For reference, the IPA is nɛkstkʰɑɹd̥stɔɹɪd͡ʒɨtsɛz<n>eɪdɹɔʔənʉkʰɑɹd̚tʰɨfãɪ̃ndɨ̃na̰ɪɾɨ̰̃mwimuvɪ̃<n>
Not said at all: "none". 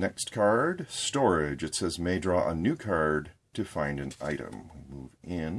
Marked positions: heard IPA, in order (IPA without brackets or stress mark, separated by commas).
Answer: m, n